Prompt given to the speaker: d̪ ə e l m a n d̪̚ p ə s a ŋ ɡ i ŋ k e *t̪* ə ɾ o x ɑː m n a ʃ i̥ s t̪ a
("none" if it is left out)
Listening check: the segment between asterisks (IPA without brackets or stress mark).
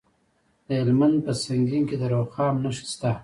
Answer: d̪